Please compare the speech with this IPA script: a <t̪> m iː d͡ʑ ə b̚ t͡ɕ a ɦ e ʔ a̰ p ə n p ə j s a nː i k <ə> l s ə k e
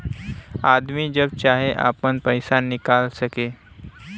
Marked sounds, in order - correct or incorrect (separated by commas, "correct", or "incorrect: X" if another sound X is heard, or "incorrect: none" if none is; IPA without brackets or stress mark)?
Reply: incorrect: d̪, incorrect: a